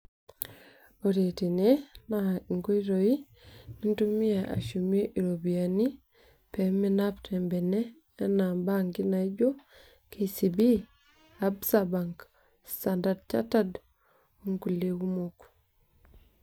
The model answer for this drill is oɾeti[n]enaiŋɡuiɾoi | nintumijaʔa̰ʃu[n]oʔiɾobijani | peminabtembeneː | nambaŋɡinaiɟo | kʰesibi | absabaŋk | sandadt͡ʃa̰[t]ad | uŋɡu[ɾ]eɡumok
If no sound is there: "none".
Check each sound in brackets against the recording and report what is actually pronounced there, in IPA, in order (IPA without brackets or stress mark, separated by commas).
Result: n, m, t, l